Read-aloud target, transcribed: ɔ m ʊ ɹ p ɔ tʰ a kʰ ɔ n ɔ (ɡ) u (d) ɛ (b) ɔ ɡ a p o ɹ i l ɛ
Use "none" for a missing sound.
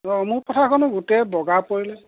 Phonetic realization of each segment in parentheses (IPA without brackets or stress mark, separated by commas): ɡ, t, b